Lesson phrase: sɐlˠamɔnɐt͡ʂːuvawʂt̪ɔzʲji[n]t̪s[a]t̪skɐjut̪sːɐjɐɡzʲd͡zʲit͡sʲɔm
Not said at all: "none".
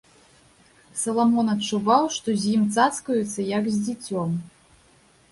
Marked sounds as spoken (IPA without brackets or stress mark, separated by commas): m, a